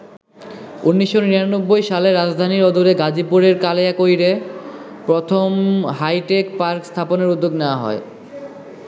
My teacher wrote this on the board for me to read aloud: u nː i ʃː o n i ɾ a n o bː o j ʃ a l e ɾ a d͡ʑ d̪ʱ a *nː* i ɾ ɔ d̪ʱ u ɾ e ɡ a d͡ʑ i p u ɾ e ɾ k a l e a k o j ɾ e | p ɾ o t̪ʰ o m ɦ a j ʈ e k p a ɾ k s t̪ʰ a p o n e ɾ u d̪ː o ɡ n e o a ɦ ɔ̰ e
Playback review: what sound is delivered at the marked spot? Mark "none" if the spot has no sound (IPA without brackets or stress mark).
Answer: n